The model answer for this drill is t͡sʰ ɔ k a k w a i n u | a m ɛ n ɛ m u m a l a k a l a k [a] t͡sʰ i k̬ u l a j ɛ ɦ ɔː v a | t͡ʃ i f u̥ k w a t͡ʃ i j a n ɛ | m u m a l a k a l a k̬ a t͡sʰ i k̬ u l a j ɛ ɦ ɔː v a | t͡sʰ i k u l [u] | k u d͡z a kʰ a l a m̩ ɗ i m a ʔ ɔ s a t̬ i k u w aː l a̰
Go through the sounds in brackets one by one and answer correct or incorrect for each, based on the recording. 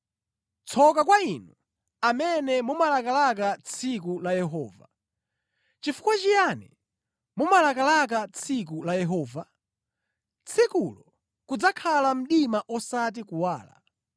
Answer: correct, incorrect: ɔ

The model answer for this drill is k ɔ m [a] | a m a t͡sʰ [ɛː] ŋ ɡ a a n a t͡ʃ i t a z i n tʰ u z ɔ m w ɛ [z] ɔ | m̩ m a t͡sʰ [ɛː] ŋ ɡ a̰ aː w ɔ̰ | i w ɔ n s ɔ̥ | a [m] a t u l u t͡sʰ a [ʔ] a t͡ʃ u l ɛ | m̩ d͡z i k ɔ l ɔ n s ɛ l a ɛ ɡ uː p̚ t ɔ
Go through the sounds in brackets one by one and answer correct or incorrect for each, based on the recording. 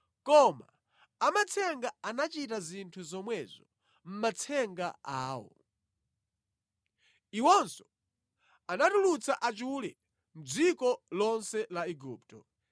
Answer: correct, incorrect: ɛ, correct, incorrect: ɛ, incorrect: n, correct

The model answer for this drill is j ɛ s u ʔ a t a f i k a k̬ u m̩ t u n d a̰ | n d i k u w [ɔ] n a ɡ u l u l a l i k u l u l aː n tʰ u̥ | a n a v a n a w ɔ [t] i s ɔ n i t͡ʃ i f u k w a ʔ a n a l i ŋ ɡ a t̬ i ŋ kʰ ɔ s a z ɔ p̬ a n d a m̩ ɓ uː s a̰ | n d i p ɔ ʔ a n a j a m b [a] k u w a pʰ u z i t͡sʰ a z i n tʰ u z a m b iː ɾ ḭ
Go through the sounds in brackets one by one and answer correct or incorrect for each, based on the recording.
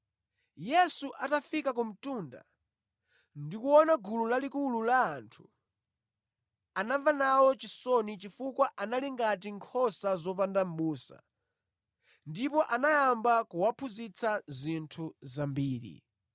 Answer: correct, incorrect: t͡ʃ, correct

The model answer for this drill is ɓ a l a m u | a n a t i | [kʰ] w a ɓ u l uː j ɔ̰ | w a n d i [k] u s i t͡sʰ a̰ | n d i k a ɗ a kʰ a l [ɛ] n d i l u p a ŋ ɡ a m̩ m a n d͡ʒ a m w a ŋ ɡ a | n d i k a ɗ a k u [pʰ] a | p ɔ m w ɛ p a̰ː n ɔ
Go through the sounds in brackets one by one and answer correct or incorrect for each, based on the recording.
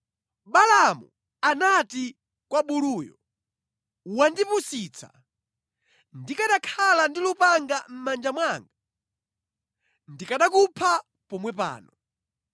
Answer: incorrect: k, incorrect: p, incorrect: a, correct

